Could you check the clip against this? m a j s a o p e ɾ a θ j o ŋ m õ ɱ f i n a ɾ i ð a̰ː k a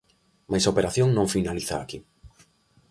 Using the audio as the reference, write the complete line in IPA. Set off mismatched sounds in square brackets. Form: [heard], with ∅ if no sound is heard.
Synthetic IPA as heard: m a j s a o p e ɾ a θ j o ŋ [n] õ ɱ f i n a [l] i [θ] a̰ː k [i]